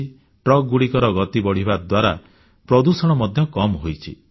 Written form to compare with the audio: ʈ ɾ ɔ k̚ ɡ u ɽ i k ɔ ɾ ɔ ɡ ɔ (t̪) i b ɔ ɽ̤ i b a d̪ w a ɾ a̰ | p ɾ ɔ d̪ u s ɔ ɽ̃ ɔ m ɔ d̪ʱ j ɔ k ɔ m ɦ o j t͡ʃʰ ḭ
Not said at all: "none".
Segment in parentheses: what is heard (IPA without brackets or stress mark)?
t̪